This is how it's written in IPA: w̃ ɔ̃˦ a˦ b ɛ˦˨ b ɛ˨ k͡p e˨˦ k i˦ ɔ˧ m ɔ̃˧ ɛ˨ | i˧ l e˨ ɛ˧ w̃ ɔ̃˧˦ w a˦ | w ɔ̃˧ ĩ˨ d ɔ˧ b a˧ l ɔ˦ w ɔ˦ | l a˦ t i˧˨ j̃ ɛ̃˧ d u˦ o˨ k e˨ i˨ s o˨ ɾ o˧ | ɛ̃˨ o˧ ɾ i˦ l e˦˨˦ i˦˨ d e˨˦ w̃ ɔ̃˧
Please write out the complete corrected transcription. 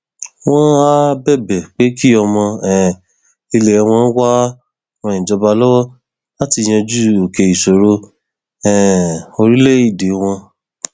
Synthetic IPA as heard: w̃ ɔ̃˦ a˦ b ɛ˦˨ b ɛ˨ k͡p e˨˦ k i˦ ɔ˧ m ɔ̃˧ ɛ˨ | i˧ l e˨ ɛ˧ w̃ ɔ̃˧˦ w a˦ | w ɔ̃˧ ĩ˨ d͡ʒ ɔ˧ b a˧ l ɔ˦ w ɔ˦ | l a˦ t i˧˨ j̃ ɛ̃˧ d͡ʒ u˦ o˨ k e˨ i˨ s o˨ ɾ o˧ | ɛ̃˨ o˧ ɾ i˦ l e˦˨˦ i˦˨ d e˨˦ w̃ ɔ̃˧